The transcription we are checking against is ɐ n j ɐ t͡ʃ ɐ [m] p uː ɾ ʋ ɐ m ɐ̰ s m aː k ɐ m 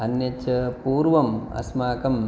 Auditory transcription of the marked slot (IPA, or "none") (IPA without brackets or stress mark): none